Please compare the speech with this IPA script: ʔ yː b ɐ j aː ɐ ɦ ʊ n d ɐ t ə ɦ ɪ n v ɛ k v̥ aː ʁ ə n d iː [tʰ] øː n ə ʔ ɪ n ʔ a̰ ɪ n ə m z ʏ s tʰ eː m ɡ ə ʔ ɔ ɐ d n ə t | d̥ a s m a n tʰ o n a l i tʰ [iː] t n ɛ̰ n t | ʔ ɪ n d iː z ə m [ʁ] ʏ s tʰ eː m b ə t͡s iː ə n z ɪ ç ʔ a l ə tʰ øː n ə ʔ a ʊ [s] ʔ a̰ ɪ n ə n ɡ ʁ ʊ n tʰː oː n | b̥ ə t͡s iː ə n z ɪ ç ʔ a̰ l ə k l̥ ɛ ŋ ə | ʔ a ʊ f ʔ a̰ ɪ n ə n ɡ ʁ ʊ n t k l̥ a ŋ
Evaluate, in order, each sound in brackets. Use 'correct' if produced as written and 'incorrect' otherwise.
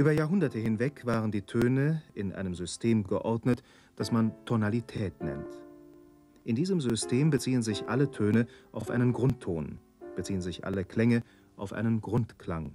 correct, incorrect: ɛː, incorrect: z, incorrect: f

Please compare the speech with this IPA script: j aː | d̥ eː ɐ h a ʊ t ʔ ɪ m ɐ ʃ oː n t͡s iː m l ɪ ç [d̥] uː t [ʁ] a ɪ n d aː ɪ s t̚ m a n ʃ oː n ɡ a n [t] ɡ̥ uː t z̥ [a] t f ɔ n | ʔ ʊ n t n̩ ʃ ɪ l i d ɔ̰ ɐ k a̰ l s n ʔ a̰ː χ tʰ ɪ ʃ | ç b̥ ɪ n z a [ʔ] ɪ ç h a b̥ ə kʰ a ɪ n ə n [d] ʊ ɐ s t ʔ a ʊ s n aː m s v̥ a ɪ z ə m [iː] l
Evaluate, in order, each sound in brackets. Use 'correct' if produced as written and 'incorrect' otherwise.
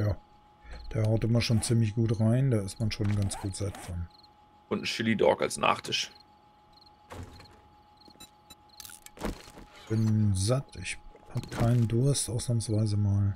incorrect: ɡ̥, correct, incorrect: t͡s, correct, incorrect: t, correct, incorrect: aː

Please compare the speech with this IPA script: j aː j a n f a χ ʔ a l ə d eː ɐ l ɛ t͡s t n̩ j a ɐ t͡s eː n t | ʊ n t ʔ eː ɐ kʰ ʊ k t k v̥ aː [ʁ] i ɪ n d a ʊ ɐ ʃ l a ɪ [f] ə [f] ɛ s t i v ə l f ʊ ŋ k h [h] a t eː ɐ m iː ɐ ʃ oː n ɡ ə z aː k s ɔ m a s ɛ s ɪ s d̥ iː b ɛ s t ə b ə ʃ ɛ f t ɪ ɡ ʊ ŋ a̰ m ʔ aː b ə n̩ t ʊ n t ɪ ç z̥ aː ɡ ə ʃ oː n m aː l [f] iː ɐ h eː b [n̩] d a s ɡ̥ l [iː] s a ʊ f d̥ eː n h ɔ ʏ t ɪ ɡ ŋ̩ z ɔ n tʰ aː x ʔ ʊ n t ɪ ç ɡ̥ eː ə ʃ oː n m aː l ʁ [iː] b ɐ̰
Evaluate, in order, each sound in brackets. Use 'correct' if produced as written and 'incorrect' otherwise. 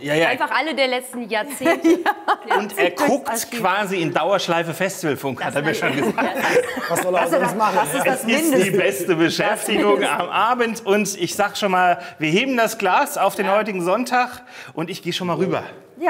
incorrect: z, correct, correct, correct, incorrect: v, incorrect: m̩, incorrect: aː, incorrect: yː

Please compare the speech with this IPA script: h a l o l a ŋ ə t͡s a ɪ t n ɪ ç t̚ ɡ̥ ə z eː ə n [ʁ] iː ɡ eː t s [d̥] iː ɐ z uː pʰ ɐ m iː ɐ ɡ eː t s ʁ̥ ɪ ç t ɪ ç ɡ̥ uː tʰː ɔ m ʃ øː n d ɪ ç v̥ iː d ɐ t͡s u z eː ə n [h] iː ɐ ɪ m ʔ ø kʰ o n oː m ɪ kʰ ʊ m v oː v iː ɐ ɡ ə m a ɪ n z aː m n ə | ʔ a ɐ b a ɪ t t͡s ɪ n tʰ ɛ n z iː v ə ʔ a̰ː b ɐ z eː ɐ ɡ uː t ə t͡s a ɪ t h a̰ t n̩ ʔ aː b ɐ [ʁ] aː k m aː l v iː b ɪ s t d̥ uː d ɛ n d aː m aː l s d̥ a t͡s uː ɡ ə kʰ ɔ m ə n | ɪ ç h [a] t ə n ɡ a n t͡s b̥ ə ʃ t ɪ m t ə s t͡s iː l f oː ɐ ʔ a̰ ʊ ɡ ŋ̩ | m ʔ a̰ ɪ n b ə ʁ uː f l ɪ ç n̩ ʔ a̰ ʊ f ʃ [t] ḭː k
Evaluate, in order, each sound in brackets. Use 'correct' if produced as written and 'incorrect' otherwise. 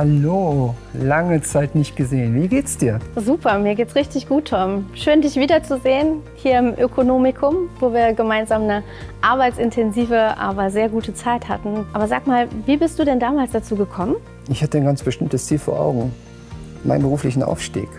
incorrect: v, correct, correct, incorrect: z, correct, correct

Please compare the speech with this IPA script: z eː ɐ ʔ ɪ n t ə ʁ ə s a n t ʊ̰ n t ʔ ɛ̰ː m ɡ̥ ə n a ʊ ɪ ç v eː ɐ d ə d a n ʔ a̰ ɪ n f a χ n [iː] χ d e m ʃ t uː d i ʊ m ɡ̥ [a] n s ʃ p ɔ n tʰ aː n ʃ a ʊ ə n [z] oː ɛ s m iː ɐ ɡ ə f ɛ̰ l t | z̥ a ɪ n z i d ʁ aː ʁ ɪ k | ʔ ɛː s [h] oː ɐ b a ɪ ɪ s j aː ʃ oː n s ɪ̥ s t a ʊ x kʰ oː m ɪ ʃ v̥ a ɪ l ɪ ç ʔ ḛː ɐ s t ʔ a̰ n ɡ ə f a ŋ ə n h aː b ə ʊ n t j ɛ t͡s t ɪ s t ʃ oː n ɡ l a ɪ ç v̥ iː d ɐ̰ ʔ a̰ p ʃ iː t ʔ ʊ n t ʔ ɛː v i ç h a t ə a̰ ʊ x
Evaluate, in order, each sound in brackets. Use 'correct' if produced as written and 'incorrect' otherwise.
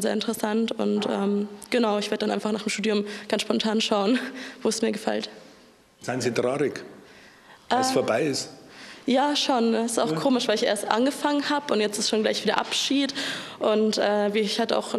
incorrect: aː, correct, incorrect: v, incorrect: f

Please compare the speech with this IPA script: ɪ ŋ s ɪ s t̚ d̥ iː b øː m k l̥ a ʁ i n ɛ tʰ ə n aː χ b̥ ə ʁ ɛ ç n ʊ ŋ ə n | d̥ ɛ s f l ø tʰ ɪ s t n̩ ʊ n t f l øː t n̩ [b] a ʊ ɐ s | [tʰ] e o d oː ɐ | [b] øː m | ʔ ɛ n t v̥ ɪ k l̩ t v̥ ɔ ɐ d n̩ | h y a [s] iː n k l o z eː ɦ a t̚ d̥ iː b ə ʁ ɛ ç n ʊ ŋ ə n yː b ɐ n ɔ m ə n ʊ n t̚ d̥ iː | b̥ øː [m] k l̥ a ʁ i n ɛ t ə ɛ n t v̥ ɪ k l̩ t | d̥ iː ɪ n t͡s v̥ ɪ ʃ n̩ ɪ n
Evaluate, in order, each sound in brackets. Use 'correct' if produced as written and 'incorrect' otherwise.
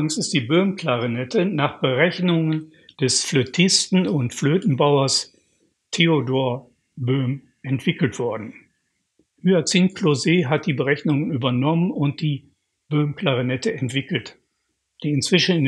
correct, correct, correct, incorrect: t͡s, correct

